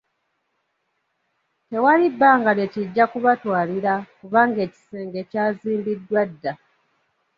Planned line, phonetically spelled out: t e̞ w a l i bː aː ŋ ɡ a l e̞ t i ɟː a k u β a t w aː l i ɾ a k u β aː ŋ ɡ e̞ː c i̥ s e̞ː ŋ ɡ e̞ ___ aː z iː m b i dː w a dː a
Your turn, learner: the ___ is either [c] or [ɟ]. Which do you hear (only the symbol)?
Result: c